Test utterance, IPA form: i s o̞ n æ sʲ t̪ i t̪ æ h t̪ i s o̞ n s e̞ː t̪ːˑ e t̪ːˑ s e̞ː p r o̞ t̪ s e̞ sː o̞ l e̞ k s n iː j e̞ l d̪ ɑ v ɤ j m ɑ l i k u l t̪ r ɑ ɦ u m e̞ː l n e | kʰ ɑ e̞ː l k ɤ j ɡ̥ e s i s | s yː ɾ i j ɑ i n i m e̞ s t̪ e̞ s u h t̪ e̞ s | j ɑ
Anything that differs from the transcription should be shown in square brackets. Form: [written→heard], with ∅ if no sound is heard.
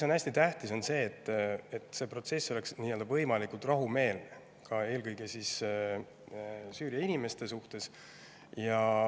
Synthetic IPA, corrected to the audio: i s o̞ n æ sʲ t̪ i t̪ æ h t̪ i s o̞ n s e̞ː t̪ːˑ e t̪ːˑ s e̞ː p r o̞ t̪ s e̞ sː o̞ l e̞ k s n iː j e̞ l d̪ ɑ v ɤ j m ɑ l i k u l t̪ r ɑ ɦ u m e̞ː l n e | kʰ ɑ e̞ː l k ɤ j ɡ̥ e s i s | s yː ɾ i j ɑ i n i m e̞ s t̪ e̞ s u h t̪ e̞ s | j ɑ